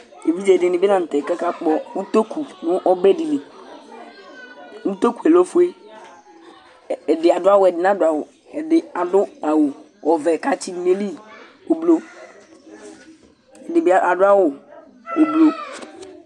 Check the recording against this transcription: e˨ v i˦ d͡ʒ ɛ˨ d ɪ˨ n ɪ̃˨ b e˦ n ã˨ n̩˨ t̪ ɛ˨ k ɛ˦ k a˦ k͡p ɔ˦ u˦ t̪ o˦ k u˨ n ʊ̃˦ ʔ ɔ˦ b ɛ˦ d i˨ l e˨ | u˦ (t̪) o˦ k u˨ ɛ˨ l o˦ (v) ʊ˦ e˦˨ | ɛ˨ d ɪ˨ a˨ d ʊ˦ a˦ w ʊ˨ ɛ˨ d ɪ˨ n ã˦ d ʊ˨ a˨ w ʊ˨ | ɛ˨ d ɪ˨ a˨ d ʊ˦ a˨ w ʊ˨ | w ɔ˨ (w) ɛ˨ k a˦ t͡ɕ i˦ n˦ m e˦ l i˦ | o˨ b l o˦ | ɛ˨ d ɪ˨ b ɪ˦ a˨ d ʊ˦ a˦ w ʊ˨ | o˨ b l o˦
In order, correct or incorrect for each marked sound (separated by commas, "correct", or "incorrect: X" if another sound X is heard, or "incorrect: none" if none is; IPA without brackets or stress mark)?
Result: correct, incorrect: f, incorrect: v